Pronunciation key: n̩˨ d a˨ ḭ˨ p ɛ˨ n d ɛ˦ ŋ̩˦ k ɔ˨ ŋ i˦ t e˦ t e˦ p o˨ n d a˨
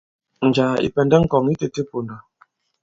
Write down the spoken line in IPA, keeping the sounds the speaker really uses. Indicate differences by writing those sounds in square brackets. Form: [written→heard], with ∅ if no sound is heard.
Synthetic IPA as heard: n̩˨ [d→d͡ʒ] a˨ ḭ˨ p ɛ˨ n d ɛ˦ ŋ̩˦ k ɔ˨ ŋ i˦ t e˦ t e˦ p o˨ n d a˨

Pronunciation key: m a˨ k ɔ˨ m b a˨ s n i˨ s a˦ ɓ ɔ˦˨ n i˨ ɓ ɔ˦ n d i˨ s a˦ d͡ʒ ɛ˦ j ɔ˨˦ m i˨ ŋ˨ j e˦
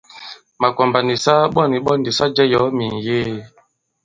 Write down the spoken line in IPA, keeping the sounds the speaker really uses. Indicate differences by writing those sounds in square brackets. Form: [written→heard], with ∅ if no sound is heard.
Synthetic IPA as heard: m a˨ k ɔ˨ m b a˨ [s→∅] n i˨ s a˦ ɓ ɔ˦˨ n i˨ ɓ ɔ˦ n d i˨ s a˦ d͡ʒ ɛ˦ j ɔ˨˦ m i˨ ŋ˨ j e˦

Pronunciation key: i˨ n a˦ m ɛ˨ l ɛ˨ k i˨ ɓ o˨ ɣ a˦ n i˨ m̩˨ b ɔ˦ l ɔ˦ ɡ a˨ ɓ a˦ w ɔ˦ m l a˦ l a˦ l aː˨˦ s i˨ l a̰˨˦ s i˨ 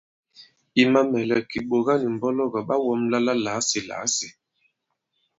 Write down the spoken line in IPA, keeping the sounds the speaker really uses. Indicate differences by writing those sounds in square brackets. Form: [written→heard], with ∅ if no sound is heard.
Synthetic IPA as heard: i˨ [n→m] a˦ m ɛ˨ l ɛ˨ k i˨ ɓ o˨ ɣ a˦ n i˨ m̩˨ b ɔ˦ l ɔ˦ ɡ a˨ ɓ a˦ w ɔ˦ m l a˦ l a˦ l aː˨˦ s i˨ l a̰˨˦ s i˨

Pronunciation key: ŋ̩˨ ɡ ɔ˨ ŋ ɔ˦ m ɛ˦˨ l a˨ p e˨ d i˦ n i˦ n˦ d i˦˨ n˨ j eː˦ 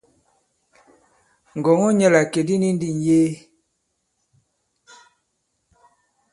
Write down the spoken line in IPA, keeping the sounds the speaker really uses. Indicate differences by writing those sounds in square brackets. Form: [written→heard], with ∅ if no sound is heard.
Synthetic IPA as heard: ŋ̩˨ ɡ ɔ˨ ŋ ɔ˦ [m→ɲ] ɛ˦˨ l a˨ [p→k] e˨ d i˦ n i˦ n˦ d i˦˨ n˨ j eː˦

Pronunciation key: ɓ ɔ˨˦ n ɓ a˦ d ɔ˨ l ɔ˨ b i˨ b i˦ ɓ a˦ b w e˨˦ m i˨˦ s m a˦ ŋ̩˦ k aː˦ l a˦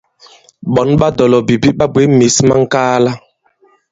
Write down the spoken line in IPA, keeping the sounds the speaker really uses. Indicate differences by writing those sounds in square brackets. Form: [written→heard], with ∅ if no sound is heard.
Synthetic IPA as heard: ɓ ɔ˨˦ n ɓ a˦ d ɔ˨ l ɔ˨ b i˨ b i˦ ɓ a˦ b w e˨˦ m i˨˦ s m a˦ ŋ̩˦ k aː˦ l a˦

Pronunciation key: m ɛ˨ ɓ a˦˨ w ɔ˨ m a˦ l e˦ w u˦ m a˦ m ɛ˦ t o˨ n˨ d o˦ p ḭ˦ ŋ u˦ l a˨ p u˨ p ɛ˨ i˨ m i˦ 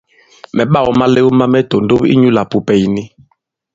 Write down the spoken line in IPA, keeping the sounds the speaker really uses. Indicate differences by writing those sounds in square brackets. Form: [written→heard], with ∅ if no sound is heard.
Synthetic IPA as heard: m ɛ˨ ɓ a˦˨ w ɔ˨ m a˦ l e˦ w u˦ m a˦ m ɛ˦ t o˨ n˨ d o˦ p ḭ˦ [ŋ→ɲ] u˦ l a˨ p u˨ p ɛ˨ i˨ [m→n] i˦

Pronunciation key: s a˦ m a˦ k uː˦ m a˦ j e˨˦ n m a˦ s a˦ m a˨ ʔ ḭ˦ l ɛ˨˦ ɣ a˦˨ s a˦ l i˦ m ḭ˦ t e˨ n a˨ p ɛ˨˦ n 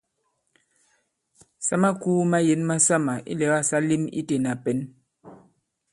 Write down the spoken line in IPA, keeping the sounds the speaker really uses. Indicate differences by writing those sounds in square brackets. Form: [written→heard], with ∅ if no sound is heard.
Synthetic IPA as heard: s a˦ m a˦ k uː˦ m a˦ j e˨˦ n m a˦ s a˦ m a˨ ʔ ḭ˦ l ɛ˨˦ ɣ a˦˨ s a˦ l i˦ m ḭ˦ t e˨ n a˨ p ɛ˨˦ n

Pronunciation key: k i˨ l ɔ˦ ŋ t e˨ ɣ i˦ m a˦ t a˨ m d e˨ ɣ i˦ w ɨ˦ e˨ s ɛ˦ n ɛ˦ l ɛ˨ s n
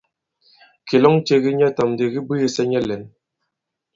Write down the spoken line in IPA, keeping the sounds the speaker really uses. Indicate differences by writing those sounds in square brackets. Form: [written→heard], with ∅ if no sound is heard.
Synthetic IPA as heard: k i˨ l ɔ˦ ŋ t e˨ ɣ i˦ [m→ɲ] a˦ t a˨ m d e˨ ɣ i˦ [w→b] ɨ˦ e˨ s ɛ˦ [n→ɲ] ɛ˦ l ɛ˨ [s→∅] n

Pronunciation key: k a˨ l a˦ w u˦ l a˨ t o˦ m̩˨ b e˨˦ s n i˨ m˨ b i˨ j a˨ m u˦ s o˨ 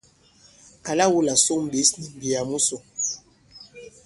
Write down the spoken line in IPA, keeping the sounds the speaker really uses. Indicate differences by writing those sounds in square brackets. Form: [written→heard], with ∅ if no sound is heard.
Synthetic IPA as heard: k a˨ l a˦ w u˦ l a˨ [t→s] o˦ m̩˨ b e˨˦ s n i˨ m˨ b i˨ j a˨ m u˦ s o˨

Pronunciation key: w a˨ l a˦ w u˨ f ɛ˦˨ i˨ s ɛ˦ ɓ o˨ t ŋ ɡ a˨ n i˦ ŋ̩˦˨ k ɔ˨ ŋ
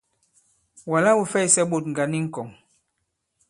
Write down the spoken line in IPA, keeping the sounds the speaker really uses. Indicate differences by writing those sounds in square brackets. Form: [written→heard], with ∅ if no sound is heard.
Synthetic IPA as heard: w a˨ l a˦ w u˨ f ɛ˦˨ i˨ s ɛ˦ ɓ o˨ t ŋ ɡ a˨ n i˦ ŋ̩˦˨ k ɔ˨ ŋ

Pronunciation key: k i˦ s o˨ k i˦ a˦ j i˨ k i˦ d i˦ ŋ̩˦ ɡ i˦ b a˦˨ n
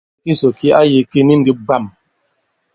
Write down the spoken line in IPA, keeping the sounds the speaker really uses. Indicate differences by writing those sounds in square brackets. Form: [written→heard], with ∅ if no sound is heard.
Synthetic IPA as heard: k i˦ s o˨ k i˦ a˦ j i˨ k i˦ [d→n] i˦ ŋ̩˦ ɡ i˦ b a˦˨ [n→m]

